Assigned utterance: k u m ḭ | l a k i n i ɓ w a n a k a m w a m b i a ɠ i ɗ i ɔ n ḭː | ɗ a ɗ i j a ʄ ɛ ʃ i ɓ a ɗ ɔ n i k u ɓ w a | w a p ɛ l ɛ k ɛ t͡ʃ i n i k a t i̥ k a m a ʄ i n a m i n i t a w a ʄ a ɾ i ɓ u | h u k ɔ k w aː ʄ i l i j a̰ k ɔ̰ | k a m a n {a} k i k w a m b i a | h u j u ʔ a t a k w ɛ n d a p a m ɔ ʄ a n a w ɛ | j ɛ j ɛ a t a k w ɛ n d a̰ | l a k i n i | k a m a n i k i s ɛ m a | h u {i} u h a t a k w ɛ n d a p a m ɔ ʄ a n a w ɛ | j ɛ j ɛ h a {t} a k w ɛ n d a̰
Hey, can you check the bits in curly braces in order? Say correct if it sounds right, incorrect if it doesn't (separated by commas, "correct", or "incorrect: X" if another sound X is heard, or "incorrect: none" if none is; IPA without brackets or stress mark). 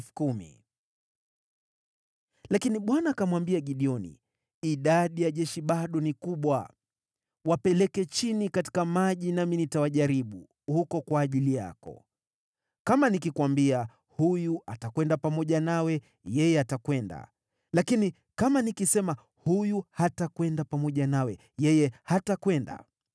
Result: incorrect: i, incorrect: j, correct